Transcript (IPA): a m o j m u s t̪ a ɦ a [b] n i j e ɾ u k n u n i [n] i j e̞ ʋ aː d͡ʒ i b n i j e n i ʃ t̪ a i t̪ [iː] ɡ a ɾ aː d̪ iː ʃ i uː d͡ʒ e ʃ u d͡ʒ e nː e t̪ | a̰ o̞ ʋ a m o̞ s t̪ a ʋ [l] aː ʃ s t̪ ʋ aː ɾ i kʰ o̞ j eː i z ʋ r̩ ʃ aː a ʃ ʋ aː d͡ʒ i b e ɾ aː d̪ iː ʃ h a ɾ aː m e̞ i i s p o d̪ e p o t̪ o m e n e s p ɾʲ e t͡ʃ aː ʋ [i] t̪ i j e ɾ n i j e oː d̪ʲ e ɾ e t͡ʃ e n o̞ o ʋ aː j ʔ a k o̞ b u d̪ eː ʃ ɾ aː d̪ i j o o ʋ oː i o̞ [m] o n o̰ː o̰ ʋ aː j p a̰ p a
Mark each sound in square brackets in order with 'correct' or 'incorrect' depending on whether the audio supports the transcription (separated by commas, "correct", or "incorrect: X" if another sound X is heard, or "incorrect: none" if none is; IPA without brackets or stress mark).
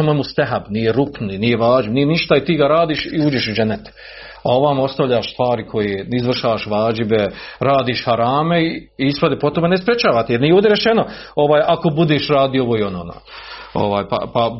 correct, correct, correct, incorrect: ʎ, incorrect: a, incorrect: n